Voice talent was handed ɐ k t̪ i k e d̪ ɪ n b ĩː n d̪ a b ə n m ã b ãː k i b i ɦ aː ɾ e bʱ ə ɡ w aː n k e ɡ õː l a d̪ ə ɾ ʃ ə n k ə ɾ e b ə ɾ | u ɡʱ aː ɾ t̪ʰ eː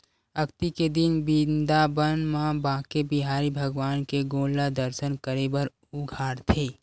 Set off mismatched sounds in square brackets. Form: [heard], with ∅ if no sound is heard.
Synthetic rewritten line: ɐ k t̪ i k e d̪ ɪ n b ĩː n d̪ a b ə n m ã b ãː k [e] b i ɦ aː ɾ [i] bʱ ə ɡ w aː n k e ɡ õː l a d̪ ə ɾ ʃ ə n k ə ɾ e b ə ɾ | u ɡʱ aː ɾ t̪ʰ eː